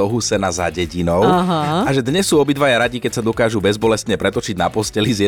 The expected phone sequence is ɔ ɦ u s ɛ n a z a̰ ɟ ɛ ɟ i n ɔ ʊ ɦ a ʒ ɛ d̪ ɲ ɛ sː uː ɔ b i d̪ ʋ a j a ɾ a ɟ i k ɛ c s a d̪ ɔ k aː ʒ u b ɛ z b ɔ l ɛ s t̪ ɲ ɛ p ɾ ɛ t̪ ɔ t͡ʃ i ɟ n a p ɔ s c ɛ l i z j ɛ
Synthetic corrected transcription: ɔ ɦ u s ɛ n a z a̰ ɟ ɛ ɟ i n ɔ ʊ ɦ a ʒ ɛ d̪ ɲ ɛ sː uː ɔ b i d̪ ʋ a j a ɾ a ɟ i k ɛ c s a d̪ ɔ k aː ʒ u b ɛ z b ɔ l ɛ s t̪ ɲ ɛ p ɾ ɛ t̪ ɔ t͡ʃ i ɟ n a p ɔ s c ɛ l i z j ɛ